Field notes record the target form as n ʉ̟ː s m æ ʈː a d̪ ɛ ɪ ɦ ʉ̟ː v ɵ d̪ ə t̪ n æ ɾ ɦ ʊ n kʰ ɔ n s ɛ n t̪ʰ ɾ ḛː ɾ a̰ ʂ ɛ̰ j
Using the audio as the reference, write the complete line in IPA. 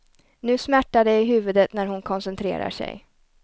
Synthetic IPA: n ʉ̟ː s m æ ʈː a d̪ ɛ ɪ ɦ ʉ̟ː v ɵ d̪ ə t̪ n æ ɾ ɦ ʊ n kʰ ɔ n s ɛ n t̪ʰ ɾ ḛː ɾ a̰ ʂ ɛ̰ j